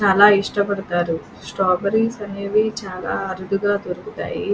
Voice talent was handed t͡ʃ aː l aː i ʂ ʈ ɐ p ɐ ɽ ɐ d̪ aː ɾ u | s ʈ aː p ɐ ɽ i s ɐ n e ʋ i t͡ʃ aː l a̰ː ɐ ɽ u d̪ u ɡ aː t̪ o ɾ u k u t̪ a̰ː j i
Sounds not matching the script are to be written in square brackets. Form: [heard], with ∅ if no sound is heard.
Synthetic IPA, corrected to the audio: t͡ʃ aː l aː i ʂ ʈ ɐ p ɐ ɽ ɐ [t̪] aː ɾ u | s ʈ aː [b] ɐ [ɾ] i s ɐ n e ʋ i t͡ʃ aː l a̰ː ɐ [ɾ] u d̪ u ɡ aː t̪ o ɾ u k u t̪ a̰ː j i

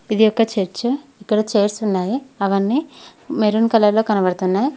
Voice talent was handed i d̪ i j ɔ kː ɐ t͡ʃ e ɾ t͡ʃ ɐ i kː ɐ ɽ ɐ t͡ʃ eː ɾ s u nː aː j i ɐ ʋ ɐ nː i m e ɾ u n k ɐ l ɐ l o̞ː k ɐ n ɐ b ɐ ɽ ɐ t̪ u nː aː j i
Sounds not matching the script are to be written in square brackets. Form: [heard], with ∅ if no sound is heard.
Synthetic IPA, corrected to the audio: i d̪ i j ɔ kː ɐ t͡ʃ e ɾ t͡ʃ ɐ i kː ɐ ɽ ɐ t͡ʃ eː ɾ s u nː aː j i ɐ ʋ ɐ nː i m e ɾ u n k ɐ l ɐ l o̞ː k ɐ n ɐ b ɐ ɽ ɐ t̪ u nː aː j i

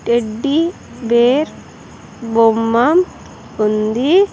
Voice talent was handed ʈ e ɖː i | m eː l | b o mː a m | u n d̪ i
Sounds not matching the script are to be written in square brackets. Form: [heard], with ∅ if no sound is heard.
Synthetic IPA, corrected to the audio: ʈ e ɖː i | [b] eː [ɾ] | b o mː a m | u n d̪ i

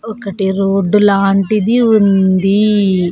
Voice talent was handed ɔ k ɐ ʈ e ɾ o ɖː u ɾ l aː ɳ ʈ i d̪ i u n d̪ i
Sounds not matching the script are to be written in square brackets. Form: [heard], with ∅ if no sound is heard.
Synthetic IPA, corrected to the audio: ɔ k ɐ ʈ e ɾ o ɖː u [∅] l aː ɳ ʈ i d̪ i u n d̪ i

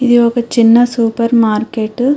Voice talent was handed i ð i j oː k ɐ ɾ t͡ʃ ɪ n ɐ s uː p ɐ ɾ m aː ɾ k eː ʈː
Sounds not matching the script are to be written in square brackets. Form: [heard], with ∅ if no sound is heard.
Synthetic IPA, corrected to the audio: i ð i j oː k ɐ [∅] t͡ʃ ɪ [nː] ɐ s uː p ɐ ɾ m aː ɾ k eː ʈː

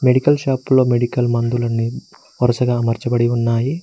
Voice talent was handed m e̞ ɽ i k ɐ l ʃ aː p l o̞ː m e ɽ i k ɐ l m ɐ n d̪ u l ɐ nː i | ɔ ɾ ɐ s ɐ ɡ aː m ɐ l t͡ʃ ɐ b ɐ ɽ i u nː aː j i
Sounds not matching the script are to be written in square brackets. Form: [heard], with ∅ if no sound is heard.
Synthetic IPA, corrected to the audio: m e̞ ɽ i k ɐ l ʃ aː p l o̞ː m e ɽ i k ɐ l m ɐ n d̪ u l ɐ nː i | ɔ ɾ ɐ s ɐ ɡ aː m ɐ [ɾ] t͡ʃ ɐ b ɐ ɽ i u nː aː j i

